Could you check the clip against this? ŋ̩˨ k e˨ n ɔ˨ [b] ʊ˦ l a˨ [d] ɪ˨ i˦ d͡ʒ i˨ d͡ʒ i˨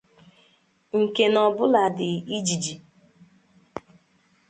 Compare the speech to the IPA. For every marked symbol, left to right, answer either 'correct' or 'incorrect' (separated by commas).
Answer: correct, correct